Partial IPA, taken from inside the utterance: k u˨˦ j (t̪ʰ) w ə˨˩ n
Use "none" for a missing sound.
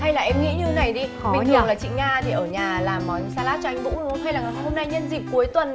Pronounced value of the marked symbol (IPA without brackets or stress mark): t̪